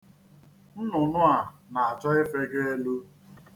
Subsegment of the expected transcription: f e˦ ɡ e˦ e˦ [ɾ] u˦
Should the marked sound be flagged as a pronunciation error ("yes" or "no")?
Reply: yes